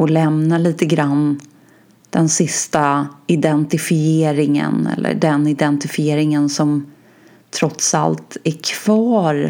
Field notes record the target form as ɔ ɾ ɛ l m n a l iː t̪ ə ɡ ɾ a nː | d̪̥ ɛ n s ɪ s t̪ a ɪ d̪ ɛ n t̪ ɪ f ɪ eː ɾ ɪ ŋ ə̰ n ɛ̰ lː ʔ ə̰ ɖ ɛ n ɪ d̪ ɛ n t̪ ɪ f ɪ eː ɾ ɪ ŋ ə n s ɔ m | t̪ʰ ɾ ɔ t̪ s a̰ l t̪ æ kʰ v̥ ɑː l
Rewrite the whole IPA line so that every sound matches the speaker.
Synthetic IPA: ɔ l ɛ m n a l iː t̪ ə ɡ ɾ a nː | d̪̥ ɛ n s ɪ s t̪ a ɪ d̪ ɛ n t̪ ɪ f ɪ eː ɾ ɪ ŋ ə̰ n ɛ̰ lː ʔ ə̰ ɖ ɛ n ɪ d̪ ɛ n t̪ ɪ f ɪ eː ɾ ɪ ŋ ə n s ɔ m | t̪ʰ ɾ ɔ t̪ s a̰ l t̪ æ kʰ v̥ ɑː ɾ